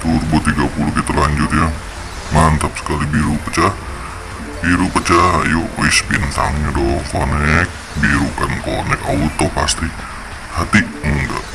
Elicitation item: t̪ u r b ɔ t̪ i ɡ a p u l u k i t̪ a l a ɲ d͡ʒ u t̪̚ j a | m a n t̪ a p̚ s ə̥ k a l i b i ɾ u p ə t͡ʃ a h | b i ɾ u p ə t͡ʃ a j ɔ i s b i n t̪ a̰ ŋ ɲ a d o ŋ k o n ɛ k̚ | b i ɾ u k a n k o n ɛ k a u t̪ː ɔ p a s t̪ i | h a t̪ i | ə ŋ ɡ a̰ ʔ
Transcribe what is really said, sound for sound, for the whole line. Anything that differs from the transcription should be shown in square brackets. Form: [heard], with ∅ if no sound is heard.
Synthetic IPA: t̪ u r b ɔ t̪ i ɡ a p u l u k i t̪ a l a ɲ d͡ʒ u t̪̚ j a | m a n t̪ a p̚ s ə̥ k a l i b i ɾ u p ə t͡ʃ a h | b i ɾ u p ə t͡ʃ a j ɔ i s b i n t̪ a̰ ŋ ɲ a d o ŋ k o n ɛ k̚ | b i ɾ u k a n k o n ɛ k a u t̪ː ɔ p a s t̪ i | h a t̪ i | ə ŋ ɡ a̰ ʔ